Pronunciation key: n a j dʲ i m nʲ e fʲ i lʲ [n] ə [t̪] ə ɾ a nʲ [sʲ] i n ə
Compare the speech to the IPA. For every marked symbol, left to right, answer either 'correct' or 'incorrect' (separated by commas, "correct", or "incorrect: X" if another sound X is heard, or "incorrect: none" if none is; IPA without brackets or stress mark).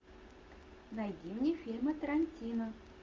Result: incorrect: m, correct, incorrect: tʲ